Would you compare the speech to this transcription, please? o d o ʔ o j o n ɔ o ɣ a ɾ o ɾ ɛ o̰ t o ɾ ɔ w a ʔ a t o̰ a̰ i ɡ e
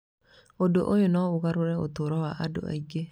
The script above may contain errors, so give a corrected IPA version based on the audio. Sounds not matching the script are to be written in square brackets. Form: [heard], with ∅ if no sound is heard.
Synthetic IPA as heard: o d o ʔ o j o n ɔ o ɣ a ɾ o ɾ ɛ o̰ t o ɾ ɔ w a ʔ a [d] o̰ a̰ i ɡ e

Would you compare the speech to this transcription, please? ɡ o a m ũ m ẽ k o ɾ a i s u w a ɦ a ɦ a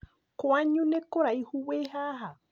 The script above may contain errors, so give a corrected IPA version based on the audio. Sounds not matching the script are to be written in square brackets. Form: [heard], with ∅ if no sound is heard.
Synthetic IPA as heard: [k] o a [ɲ] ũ [n] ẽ k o ɾ a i [h] u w [e] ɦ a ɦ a

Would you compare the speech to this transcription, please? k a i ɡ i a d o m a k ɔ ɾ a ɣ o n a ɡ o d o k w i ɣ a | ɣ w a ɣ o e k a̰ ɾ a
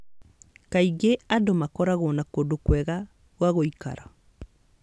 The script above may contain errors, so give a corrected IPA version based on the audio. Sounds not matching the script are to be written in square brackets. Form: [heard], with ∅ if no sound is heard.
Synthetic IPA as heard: k a i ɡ [e] a d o m a k ɔ ɾ a ɣ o n a [k] o d o k w [ɛ] ɣ a | ɣ w a ɣ o [i] k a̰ ɾ a

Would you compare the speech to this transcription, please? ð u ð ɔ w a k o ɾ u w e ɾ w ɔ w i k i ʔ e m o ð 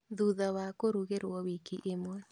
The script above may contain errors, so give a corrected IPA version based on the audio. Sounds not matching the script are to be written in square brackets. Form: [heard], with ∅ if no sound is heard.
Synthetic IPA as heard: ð u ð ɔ w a k o ɾ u [ɣ] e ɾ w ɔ w i k i ʔ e m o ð

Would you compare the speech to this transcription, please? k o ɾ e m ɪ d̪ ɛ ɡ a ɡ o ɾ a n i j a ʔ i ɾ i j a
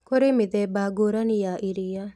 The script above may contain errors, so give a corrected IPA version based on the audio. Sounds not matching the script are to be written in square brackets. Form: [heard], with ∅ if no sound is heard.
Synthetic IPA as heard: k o ɾ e m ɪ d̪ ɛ [b] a ɡ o ɾ a n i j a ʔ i ɾ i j a

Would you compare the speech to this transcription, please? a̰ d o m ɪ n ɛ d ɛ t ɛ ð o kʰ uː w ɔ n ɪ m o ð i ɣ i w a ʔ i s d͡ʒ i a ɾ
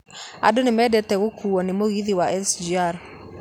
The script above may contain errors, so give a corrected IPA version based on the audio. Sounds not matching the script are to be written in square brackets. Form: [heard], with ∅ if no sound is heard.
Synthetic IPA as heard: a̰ d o [n] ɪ [m] ɛ d ɛ t ɛ [ɣ] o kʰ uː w ɔ n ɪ m o [ɣ] i [ð] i w a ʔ [ɛ] s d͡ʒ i a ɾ

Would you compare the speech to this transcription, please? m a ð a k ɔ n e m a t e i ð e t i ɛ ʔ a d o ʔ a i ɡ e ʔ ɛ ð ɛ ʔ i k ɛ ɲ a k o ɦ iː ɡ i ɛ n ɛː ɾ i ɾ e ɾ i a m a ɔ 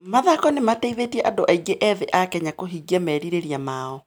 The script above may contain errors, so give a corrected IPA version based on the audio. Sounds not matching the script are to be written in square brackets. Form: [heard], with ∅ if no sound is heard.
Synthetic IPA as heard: m a ð a k ɔ n e m a t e i ð e t i ɛ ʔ a d o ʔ a i ɡ e ʔ ɛ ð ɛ ʔ [a] k ɛ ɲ a k o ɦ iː ɡ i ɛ [m] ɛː ɾ i ɾ e ɾ i a m a ɔ

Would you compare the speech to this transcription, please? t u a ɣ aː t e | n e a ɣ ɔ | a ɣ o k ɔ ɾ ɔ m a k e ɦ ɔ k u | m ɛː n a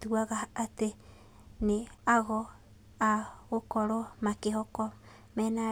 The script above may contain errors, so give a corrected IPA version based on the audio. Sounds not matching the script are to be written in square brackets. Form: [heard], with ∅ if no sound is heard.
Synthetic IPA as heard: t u a ɣ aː t e | n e a ɣ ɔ | a ɣ o k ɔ ɾ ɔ m a k e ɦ ɔ k [ɔ] | m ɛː n a

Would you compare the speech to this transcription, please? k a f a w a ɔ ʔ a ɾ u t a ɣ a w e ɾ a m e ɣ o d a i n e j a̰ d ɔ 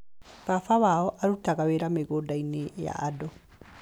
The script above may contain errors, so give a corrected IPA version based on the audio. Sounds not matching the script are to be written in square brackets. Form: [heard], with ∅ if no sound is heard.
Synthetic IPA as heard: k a f a w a ɔ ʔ a ɾ u t a ɣ a w e ɾ a m e ɣ o d a i n e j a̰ d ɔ

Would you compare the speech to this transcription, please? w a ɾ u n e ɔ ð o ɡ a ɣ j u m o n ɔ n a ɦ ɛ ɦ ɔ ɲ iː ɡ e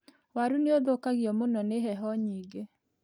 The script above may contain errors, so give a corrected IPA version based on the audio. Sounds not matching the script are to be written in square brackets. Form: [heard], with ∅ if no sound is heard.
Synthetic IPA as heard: w a ɾ u n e [o] ð o [k] a ɣ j [ɔ] m o n ɔ n [e] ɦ ɛ ɦ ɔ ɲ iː ɡ e

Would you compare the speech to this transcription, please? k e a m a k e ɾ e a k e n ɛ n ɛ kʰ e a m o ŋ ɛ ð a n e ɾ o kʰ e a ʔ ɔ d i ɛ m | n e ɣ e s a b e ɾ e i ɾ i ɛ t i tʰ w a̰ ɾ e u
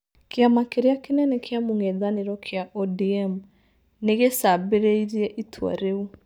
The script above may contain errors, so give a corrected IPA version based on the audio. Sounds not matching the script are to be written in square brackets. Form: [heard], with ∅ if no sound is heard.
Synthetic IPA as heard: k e a m a k e ɾ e a k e n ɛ n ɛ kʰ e a m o ŋ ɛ ð a n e ɾ [ɔ] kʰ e a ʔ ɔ d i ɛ m | n e ɣ e s a b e ɾ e i ɾ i ɛ [ʔ] i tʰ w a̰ ɾ e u

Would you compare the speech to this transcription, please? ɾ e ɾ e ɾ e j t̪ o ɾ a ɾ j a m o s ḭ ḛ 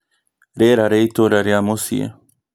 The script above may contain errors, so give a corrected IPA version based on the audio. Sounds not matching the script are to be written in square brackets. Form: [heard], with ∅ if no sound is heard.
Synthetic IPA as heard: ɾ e ɾ [a] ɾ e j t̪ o ɾ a ɾ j a m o s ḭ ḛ

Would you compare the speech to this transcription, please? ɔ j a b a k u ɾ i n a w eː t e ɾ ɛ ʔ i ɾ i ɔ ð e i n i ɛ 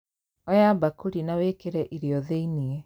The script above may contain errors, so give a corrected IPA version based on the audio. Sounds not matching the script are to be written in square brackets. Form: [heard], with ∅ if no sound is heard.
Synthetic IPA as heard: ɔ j a b a k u ɾ i n a w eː [k] e ɾ ɛ ʔ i ɾ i ɔ ð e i n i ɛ

